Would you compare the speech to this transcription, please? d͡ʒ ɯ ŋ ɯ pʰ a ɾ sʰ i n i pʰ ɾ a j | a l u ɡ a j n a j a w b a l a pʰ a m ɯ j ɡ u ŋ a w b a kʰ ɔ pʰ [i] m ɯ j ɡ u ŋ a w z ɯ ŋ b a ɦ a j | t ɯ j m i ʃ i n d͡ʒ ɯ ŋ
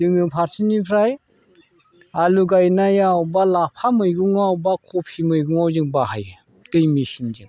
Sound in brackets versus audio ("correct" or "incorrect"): correct